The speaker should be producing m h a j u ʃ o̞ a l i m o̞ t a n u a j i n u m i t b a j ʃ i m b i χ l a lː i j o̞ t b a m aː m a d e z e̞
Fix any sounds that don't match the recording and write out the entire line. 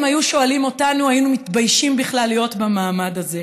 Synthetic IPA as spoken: m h a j u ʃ o̞ a l i m o̞ t a n u a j i n u m i t b a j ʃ i m b i χ l a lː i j o̞ t b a m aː m a d a z e̞